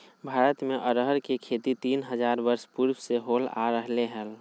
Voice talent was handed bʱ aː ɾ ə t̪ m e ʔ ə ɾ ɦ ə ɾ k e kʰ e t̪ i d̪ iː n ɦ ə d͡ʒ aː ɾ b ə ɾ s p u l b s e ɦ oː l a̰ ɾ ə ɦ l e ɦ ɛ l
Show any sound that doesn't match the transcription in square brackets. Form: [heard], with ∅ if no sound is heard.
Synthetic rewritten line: bʱ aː ɾ ə t̪ m e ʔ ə ɾ ɦ ə ɾ k e kʰ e t̪ i [t̪] iː n ɦ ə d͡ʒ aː ɾ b ə ɾ s p u [ɾ] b s e ɦ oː l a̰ ɾ ə ɦ l e ɦ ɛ l